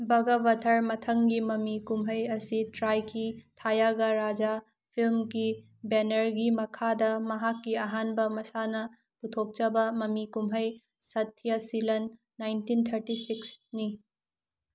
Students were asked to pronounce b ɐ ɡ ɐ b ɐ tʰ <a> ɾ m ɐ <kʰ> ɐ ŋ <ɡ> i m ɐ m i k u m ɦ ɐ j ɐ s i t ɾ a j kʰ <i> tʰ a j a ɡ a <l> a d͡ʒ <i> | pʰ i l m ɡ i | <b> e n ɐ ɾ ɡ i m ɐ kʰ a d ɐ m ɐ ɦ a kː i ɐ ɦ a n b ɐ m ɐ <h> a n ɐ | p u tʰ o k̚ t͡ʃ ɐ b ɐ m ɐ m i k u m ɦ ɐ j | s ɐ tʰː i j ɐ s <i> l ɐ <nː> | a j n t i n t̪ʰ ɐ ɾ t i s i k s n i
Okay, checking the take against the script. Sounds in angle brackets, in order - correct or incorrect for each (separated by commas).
incorrect, incorrect, correct, correct, incorrect, incorrect, correct, incorrect, correct, correct